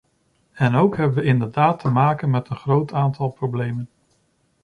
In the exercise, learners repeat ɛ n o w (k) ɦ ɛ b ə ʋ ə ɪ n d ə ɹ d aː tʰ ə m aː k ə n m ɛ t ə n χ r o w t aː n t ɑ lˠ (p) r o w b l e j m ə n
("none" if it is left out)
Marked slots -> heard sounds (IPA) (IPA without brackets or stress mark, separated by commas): k, p